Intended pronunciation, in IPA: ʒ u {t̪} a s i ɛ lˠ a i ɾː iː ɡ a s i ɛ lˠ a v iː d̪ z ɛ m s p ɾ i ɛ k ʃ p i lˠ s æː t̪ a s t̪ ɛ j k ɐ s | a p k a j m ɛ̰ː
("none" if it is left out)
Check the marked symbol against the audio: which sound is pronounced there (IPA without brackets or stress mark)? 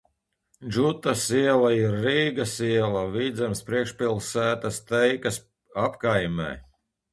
t̪